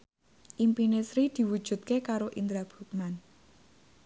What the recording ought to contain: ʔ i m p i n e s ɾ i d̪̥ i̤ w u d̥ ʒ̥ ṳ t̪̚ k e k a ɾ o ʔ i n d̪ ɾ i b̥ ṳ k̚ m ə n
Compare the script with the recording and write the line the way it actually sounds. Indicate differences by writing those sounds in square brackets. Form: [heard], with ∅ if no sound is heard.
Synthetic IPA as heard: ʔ i m p i n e s ɾ i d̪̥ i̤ w u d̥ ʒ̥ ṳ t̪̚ k e k a ɾ o ʔ i n d̪ ɾ [a] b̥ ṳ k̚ m [a] n